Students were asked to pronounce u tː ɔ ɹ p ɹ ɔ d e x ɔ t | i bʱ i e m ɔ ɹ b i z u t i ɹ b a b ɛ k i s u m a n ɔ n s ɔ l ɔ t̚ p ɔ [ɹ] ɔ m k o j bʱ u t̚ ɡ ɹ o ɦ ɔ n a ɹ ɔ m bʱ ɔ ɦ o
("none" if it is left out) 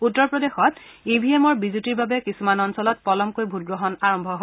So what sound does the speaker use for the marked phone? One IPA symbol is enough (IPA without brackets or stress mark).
l